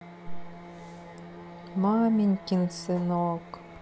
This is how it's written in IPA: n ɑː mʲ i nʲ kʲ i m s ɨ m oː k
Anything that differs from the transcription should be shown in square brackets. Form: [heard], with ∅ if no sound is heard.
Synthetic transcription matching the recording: [m] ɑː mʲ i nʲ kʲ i [n] s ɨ [n] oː k